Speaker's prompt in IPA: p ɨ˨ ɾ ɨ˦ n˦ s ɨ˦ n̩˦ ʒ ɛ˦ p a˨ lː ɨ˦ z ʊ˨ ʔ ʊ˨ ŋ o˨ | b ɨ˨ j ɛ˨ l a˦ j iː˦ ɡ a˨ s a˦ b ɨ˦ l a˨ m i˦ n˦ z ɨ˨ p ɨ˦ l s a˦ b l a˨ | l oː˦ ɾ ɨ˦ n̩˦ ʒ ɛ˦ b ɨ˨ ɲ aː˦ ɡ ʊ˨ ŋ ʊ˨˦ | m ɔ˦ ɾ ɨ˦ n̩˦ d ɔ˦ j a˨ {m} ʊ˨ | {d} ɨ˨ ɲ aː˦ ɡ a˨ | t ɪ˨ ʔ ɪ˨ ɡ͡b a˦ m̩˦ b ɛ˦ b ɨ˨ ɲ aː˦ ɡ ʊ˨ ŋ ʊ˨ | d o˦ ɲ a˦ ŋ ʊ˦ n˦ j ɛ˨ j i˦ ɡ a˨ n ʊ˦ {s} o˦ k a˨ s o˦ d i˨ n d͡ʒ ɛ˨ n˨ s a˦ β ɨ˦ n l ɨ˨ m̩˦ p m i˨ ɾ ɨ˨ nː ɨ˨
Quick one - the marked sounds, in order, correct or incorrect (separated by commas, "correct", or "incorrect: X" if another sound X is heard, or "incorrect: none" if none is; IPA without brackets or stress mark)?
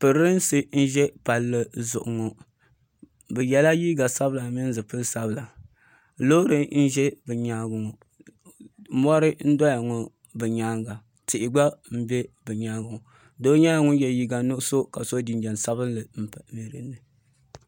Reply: incorrect: ŋ, incorrect: b, correct